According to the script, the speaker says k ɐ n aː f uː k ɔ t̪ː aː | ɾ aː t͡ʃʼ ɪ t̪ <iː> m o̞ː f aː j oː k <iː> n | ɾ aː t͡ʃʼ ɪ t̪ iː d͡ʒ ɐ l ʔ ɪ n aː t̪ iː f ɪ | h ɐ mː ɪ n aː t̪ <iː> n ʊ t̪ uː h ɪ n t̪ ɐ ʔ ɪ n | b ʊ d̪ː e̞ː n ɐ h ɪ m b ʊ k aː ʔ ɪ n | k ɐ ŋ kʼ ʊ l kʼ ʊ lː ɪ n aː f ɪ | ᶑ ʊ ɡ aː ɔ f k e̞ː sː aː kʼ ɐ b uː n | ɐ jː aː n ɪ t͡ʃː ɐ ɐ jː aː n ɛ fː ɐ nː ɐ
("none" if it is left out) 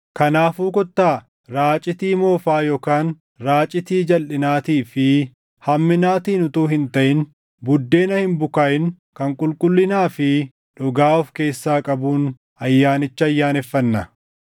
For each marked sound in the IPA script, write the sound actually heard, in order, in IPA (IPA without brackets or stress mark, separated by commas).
iː, aː, iː